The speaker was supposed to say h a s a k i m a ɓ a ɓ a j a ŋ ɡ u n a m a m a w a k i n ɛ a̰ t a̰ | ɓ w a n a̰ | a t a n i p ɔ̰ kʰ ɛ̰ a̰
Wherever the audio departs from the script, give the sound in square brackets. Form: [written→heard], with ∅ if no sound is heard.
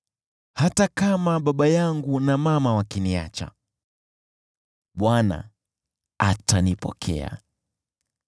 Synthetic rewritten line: h a [s→t] a k [i→a] m a ɓ a ɓ a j a ŋ ɡ u n a m a m a w a k i n [ɛ→i] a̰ [t→t͡ʃ] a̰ | ɓ w a n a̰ | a t a n i p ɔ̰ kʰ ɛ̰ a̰